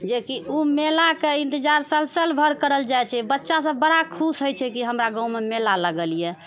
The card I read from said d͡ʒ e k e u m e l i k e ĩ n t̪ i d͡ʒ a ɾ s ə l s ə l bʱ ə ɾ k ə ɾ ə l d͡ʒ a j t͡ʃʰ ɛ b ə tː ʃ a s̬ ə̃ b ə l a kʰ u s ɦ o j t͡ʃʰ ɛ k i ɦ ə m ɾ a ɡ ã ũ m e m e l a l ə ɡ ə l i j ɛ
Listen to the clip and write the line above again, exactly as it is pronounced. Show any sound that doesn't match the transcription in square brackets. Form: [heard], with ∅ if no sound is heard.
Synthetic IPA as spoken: d͡ʒ e k [i] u m e l [a] k e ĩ n t̪ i d͡ʒ a ɾ s ə l s ə l bʱ ə ɾ k ə ɾ ə l d͡ʒ a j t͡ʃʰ ɛ b ə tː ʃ a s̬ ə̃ b ə [ɽ] a kʰ u s ɦ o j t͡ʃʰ ɛ k i ɦ ə m ɾ a ɡ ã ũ m e m e l a l ə ɡ ə l i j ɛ